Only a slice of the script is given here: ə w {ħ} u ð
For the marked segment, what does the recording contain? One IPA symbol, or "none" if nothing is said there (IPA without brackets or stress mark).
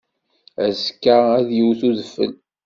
θ